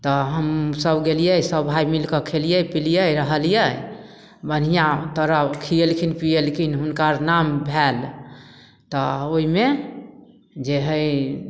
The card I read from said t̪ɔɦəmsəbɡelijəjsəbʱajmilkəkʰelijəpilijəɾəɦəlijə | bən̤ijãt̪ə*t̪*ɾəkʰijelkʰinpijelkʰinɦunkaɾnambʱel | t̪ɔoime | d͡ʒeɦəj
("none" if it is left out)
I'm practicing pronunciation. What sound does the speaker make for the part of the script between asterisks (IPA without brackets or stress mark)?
none